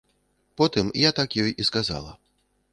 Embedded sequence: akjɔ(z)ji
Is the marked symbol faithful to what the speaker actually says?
no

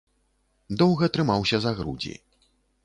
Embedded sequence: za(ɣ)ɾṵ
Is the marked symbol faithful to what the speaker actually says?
yes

